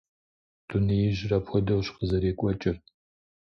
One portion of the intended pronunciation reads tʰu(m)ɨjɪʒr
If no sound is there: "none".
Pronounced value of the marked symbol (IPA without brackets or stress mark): n